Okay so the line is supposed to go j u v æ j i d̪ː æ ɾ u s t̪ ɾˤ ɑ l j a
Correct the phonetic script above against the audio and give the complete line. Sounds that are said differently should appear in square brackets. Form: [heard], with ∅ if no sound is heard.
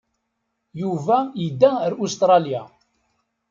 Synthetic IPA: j u v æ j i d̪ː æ ɾ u s t̪ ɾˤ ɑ l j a